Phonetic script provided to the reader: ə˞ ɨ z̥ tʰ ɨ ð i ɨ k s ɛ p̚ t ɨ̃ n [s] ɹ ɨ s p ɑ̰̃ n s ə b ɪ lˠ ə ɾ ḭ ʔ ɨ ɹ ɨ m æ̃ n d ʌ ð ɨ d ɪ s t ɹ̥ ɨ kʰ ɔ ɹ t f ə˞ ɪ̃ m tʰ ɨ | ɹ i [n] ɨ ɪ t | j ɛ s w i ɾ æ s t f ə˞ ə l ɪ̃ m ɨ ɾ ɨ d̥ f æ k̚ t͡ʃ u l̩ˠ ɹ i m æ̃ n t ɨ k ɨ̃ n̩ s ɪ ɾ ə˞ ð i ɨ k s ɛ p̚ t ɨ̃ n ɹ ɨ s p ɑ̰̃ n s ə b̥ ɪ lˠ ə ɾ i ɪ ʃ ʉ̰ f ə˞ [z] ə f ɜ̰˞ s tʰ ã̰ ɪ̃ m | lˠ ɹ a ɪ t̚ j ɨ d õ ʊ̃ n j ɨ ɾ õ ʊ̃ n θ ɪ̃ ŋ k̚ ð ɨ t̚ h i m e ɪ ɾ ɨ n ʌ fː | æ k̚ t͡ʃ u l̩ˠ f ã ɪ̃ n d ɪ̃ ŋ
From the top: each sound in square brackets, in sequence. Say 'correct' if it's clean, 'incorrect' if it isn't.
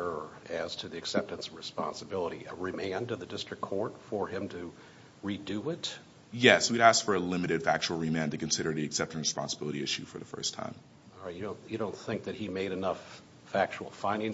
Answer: correct, incorrect: d, incorrect: ð

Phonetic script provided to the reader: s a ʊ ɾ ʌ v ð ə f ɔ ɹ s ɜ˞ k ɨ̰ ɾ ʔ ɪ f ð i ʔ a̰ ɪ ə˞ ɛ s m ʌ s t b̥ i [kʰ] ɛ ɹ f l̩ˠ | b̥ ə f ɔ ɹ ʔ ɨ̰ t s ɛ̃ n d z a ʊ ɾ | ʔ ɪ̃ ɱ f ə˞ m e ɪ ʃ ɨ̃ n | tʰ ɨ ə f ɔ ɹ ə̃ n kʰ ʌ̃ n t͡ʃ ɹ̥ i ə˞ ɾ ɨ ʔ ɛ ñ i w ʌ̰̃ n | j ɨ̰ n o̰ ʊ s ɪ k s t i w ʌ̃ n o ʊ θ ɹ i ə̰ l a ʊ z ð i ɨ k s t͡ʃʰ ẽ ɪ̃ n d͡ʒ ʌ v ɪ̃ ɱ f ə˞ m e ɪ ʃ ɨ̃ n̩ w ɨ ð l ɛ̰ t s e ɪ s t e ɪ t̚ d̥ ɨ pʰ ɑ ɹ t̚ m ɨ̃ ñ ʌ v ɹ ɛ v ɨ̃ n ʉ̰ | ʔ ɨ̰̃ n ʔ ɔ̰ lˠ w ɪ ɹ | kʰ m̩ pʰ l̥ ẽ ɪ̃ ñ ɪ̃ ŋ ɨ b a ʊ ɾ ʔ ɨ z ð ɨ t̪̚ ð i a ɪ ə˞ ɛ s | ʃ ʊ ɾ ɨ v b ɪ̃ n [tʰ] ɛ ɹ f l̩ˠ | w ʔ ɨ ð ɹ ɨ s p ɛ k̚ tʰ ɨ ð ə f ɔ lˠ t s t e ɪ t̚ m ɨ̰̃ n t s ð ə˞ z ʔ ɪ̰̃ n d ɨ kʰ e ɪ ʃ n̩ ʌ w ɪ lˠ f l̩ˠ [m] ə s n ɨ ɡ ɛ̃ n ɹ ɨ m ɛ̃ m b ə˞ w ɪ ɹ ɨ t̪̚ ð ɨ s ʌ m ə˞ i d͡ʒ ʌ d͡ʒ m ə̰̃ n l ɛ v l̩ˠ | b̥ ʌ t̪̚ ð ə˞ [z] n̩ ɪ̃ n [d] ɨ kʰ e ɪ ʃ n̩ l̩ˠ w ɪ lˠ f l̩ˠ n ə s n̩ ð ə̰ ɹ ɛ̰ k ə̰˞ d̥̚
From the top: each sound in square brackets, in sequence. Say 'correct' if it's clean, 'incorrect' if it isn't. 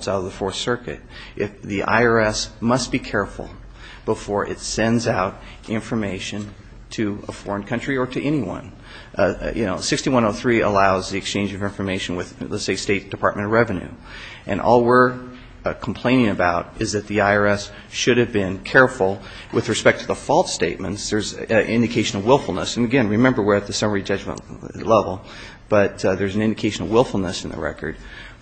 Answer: correct, incorrect: kʰ, incorrect: n, correct, correct

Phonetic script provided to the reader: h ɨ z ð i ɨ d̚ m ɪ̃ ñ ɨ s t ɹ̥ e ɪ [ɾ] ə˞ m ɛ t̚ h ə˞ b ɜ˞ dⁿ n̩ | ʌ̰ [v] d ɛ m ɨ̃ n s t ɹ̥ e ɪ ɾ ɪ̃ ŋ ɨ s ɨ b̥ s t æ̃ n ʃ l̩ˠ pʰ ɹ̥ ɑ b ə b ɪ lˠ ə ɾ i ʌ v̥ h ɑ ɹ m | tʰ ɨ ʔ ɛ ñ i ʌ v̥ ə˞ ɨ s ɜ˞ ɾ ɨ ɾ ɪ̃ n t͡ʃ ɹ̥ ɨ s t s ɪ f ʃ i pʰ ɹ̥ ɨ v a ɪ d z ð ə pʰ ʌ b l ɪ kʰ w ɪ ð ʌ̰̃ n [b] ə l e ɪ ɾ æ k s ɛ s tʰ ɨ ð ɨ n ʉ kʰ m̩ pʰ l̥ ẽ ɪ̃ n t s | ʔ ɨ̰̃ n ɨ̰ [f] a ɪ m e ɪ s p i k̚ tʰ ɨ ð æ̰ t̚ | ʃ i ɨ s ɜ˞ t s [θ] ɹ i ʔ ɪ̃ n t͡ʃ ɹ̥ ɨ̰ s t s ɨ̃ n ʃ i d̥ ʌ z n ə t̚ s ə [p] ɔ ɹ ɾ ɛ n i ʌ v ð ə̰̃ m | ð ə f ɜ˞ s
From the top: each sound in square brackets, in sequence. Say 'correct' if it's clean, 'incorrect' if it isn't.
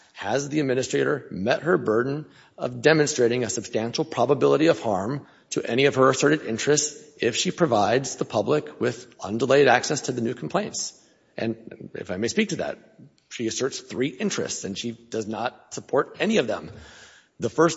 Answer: correct, correct, incorrect: d, correct, correct, incorrect: pʰ

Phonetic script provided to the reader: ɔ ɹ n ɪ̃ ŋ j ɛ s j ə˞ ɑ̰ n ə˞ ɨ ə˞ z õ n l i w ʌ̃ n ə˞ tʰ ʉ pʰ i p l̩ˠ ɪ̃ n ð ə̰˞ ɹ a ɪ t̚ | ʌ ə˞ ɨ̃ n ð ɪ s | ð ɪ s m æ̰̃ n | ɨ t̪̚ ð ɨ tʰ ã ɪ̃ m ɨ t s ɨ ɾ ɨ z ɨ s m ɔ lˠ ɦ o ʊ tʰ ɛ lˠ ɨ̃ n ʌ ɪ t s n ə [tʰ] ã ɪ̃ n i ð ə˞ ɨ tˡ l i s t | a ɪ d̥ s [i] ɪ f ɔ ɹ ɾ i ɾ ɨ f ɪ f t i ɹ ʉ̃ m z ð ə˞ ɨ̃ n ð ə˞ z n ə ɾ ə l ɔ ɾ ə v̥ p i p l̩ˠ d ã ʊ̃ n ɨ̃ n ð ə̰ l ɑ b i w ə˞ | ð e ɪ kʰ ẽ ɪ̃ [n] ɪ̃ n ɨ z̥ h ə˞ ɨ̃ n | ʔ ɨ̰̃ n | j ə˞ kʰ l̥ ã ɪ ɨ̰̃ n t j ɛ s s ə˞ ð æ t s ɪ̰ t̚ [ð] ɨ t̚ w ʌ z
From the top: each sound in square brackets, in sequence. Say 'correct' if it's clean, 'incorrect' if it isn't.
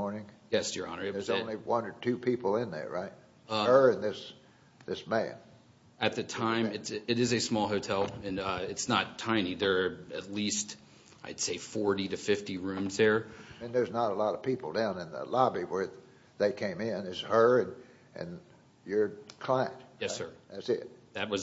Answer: correct, incorrect: e, incorrect: m, correct

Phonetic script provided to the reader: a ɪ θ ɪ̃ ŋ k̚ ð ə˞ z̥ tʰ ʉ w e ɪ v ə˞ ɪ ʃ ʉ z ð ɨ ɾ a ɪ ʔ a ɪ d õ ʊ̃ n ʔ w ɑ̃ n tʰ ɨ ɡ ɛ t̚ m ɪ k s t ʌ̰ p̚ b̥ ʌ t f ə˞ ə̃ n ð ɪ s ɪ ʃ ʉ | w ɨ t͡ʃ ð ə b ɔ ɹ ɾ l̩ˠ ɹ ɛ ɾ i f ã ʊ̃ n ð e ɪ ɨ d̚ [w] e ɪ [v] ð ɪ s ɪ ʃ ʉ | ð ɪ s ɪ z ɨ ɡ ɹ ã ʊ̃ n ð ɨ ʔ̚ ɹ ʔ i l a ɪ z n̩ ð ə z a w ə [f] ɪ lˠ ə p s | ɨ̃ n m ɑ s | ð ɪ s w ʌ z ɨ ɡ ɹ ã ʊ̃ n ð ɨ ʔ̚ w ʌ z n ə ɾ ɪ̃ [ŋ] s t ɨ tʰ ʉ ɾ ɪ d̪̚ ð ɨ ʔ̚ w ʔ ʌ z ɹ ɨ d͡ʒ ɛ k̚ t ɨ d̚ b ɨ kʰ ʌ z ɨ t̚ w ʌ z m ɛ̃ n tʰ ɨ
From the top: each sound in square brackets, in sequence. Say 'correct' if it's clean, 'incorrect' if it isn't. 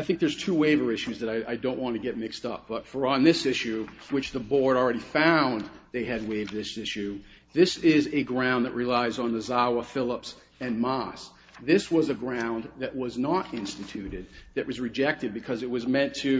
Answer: correct, correct, correct, incorrect: n

